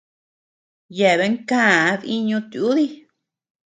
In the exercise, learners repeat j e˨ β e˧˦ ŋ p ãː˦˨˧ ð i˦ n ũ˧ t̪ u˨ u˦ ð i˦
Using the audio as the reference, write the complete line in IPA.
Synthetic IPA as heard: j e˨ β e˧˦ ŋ k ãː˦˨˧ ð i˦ ɲ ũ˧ t̪ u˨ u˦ ð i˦

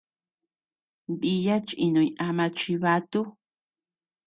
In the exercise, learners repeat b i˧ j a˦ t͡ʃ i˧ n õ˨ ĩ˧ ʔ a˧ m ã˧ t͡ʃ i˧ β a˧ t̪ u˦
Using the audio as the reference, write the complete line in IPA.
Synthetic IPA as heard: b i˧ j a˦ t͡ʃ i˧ n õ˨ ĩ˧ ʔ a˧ m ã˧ t͡ʃ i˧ β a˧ t̪ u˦

